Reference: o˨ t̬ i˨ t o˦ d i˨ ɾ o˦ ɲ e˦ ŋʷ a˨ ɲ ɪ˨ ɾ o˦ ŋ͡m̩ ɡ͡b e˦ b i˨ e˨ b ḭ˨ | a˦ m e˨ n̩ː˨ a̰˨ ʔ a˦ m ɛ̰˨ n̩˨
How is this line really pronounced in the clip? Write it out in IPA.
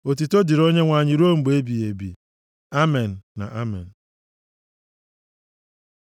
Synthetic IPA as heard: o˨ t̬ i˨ t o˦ d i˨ ɾ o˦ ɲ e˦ ŋʷ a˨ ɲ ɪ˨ ɾ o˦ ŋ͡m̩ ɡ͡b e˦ b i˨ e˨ b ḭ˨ | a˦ m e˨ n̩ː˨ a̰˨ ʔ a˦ m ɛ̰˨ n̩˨